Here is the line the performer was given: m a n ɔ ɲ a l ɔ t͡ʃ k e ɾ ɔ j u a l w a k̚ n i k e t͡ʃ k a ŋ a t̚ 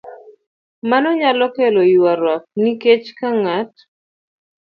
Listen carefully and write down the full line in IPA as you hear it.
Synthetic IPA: m a n ɔ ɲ a l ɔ k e l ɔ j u a ɾ w a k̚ n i k e t͡ʃ k a ŋ a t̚